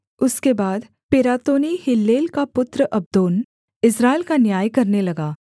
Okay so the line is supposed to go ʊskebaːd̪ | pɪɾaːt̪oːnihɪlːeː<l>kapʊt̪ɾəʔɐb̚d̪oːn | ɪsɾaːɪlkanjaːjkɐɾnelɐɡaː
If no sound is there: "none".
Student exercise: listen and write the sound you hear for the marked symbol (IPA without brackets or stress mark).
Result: l